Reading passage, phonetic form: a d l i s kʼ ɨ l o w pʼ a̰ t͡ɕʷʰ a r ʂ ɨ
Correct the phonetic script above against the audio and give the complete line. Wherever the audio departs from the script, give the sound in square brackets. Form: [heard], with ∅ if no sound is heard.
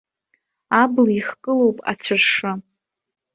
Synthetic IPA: a [b] l i [χ] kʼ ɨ l o w pʼ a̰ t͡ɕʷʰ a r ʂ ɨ